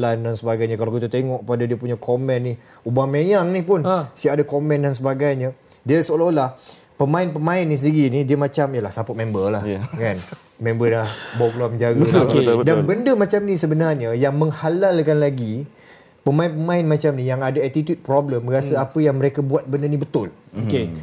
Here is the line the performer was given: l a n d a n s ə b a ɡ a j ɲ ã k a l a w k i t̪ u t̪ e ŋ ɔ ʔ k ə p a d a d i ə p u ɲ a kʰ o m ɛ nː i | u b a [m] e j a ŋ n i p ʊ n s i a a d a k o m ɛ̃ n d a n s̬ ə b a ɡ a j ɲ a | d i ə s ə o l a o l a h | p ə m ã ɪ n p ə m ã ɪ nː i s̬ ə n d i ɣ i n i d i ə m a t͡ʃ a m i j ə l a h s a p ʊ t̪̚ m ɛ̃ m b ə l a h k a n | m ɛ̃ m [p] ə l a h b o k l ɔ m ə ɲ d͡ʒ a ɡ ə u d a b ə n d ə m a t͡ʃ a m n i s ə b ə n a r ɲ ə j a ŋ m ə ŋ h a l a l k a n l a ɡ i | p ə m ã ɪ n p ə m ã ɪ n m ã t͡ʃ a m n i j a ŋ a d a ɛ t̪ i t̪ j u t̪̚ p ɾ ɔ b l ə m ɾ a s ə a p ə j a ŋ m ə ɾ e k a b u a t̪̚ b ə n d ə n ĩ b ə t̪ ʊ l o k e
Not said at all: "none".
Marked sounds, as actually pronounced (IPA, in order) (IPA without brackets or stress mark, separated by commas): m, b